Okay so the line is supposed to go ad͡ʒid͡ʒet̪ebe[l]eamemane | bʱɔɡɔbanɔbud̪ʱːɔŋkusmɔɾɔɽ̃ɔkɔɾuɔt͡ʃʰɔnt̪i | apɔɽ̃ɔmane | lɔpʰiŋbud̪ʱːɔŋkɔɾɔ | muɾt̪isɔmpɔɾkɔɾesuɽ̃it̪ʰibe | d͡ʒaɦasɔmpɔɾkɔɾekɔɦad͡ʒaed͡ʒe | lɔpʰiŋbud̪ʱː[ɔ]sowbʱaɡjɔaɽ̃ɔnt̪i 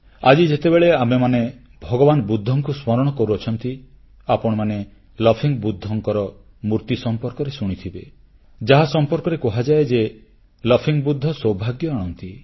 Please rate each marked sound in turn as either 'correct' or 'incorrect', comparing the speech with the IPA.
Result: incorrect: ɭ, correct

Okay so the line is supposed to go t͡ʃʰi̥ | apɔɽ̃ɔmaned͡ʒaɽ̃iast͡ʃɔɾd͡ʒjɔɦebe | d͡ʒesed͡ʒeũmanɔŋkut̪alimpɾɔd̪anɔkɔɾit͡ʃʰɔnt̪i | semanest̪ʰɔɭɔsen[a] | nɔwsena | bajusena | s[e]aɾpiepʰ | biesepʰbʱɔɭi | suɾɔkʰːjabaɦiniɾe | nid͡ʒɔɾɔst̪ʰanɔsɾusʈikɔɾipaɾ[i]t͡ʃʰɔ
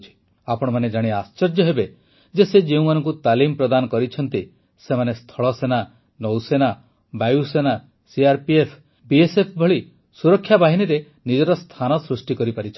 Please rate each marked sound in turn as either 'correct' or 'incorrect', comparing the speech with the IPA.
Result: correct, incorrect: i, correct

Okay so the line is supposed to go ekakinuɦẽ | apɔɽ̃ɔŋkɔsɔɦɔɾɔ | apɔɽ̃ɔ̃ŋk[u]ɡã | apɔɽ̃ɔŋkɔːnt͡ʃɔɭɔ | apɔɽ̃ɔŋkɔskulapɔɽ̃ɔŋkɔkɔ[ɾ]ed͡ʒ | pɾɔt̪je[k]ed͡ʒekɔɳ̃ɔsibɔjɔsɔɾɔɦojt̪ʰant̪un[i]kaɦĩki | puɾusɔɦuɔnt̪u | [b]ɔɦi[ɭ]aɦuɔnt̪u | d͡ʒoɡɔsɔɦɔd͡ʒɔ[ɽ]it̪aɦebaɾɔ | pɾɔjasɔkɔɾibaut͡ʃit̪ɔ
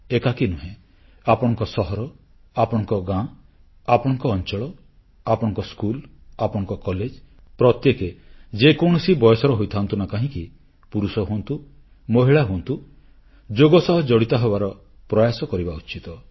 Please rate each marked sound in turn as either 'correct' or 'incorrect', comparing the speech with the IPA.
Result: incorrect: ɔ, incorrect: l, correct, incorrect: a, incorrect: m, correct, correct

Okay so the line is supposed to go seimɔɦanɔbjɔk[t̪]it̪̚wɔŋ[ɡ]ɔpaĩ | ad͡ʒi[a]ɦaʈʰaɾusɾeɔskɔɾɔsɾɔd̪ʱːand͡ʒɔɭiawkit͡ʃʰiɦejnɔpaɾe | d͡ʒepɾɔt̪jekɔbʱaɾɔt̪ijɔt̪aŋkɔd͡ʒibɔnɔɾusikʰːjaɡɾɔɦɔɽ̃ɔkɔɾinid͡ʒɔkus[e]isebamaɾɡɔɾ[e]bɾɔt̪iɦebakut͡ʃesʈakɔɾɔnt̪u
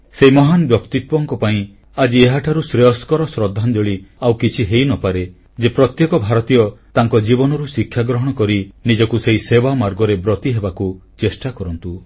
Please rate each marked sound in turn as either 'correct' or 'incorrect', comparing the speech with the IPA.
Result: correct, incorrect: k, incorrect: e, correct, correct

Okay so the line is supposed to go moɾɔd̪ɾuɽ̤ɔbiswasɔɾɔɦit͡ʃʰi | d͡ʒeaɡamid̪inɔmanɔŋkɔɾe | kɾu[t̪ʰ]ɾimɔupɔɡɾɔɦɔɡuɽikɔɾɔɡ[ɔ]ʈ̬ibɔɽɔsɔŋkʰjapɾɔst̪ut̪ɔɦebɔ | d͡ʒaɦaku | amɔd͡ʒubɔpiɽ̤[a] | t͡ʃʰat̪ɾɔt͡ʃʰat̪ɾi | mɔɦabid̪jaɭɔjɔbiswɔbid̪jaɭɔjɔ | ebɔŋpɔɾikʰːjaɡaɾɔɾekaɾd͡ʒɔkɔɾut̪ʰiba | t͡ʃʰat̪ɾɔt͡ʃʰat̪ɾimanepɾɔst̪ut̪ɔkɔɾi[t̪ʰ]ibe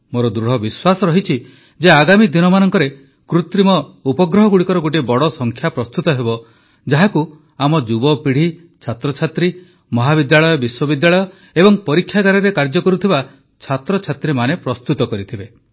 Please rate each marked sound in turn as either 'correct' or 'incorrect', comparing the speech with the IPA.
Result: incorrect: t̪, incorrect: o, incorrect: i, correct

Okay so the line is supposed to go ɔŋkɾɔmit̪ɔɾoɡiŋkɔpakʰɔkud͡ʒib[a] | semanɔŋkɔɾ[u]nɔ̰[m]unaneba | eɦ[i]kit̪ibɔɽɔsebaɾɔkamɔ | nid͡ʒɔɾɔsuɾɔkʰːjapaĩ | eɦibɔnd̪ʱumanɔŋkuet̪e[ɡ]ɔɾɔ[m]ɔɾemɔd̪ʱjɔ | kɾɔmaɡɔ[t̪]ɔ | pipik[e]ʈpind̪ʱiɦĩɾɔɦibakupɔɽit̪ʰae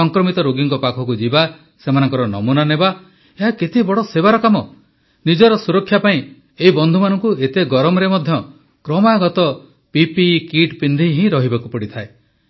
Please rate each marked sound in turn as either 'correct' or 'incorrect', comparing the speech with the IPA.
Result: correct, incorrect: ɔ, correct, incorrect: a, correct, correct, correct, incorrect: i

